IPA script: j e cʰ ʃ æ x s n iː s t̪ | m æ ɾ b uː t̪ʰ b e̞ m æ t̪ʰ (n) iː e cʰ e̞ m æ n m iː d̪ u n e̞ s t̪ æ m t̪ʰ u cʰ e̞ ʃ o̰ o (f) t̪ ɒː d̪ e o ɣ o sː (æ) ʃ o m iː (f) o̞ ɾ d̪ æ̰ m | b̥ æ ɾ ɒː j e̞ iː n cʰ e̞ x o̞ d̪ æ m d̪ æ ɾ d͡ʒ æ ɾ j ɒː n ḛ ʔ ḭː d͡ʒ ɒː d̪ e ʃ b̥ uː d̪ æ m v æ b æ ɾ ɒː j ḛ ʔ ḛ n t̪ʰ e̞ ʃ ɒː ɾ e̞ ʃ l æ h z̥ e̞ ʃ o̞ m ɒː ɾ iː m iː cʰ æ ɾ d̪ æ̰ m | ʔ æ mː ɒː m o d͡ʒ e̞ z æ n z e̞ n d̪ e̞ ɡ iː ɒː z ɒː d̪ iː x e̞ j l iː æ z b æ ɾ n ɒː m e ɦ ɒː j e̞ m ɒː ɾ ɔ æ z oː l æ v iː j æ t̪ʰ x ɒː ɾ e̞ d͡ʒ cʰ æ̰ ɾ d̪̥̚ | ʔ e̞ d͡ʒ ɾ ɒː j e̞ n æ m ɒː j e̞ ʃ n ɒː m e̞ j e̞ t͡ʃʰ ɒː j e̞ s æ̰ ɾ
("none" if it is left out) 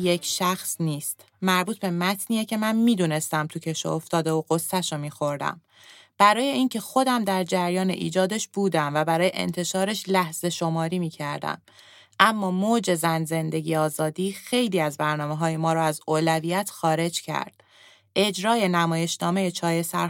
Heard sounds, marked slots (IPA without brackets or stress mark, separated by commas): n, f, æ, x